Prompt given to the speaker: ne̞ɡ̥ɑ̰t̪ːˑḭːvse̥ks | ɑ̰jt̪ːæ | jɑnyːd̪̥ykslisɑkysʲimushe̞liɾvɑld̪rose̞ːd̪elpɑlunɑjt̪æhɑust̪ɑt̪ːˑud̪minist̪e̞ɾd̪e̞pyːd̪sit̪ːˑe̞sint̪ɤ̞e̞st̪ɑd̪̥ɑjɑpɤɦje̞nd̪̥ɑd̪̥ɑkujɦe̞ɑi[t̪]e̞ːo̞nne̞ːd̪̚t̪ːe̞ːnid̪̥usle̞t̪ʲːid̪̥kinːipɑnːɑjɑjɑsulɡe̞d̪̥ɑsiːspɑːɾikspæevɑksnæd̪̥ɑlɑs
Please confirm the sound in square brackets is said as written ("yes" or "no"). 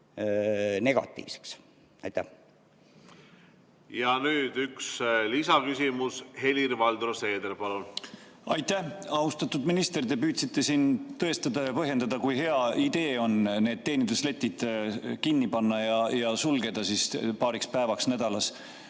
no